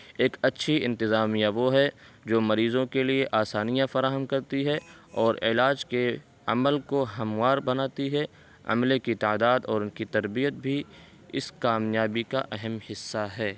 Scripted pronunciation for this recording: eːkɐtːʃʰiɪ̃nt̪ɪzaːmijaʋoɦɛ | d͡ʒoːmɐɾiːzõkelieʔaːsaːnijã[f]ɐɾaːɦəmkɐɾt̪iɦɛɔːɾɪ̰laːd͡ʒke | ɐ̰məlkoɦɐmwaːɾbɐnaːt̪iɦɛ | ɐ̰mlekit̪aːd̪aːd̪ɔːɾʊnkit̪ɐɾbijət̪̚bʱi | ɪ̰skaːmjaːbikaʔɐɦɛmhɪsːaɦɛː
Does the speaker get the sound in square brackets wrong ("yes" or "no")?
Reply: no